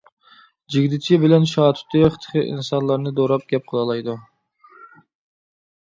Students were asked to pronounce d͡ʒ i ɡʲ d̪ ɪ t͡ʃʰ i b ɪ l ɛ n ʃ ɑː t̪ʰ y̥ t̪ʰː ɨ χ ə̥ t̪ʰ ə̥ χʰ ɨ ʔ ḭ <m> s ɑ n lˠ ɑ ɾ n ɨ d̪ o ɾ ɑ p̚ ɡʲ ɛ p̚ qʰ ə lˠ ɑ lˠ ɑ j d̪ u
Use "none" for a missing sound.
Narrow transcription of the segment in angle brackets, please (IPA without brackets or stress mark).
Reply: n